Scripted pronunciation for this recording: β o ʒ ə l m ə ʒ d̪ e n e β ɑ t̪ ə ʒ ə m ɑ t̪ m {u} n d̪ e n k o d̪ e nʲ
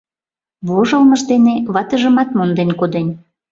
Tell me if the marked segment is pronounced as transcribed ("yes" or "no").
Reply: no